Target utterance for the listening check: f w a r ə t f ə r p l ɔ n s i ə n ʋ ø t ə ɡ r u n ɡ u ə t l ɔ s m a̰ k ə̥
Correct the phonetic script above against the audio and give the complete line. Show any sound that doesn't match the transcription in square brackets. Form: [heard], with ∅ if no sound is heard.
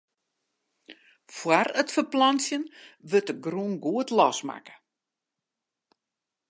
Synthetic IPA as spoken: f w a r ə t f ə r p l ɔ n s [j] ə n ʋ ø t ə ɡ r u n ɡ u ə t l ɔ s m a̰ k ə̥